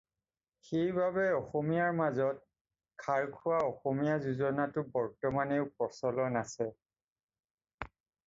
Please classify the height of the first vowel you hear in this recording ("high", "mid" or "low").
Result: mid